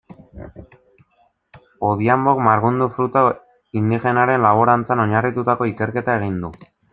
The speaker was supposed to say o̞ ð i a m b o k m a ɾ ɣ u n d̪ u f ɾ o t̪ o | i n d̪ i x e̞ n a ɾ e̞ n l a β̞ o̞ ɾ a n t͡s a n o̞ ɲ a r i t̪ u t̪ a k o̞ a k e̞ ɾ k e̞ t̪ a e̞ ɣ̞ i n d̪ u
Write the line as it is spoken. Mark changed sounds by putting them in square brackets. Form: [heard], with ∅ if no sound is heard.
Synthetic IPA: o̞ ð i a m b o k m a ɾ ɣ u n d̪ u f ɾ [u] t̪ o | i n d̪ i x e̞ n a ɾ e̞ n l a β̞ o̞ ɾ a n t͡s a n o̞ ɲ a r i t̪ u t̪ a k o̞ [i] k e̞ ɾ k e̞ t̪ a e̞ ɣ̞ i n d̪ u